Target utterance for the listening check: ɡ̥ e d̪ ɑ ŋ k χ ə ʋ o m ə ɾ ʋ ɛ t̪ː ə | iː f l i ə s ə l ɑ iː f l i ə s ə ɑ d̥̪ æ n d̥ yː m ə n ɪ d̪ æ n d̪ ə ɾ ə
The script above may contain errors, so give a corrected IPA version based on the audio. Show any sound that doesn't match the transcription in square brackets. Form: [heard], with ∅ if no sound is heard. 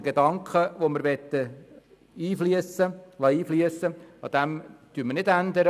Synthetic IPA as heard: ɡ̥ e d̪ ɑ ŋ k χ ə ʋ o m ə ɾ ʋ ɛ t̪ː ə | iː f l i ə s ə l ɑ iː f l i ə s ə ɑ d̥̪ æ [m] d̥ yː m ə n ɪ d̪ æ n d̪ ə ɾ ə